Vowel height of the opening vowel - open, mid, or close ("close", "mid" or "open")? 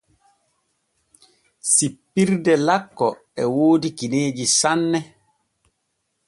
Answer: close